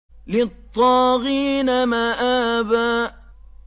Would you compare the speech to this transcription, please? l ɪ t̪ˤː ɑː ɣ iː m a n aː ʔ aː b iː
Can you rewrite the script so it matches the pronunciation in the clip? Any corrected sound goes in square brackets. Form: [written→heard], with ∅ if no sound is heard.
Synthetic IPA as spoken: l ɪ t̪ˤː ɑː ɣ iː [m→n] a [n→m] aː ʔ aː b [iː→aː]